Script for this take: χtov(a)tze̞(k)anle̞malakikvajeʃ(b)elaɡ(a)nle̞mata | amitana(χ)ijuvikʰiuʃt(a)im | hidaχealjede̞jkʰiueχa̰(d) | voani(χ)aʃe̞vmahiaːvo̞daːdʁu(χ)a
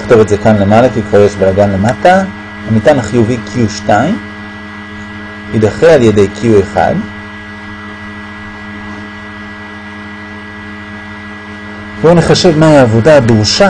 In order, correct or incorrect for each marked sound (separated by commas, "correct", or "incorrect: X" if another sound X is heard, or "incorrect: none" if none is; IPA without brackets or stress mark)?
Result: incorrect: e, correct, correct, correct, correct, correct, correct, correct, incorrect: ʃ